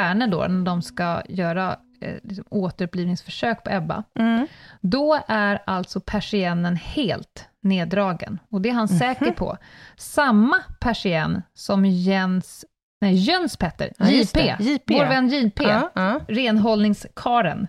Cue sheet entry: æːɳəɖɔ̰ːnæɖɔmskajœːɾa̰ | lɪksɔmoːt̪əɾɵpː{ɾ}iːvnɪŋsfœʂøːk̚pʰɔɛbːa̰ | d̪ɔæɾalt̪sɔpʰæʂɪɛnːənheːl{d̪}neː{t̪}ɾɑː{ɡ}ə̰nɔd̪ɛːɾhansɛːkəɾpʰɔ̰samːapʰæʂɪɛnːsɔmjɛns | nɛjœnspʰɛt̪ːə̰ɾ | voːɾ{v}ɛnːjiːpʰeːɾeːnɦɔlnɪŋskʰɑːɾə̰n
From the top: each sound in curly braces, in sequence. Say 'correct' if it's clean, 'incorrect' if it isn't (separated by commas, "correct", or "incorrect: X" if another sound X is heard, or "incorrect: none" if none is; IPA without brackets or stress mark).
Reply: incorrect: l, incorrect: t̪, incorrect: d̪, correct, correct